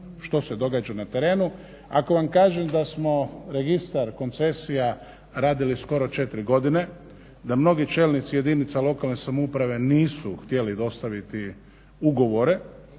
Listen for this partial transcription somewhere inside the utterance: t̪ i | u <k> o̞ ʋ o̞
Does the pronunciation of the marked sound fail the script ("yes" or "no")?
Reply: yes